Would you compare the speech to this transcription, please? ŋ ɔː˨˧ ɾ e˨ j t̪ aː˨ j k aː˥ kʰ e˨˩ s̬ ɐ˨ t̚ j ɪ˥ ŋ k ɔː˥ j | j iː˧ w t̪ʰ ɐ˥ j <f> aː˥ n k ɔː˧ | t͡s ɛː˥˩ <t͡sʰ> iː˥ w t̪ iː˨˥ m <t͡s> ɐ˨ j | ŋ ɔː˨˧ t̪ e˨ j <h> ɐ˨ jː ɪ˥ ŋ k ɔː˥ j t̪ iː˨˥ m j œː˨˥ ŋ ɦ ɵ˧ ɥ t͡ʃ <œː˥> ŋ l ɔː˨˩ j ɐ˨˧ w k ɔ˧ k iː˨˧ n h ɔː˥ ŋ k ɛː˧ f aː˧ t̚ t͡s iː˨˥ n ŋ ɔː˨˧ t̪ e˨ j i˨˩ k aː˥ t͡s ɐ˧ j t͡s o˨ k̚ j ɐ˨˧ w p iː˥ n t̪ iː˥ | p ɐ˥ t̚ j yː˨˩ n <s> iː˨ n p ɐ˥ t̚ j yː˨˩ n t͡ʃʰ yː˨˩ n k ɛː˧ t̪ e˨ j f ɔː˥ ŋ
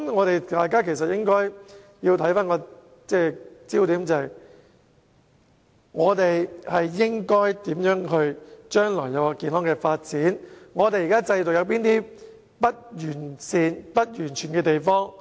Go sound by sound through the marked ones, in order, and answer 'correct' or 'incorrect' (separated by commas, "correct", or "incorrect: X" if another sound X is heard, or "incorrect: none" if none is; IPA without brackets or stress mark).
correct, incorrect: t͡s, correct, correct, correct, correct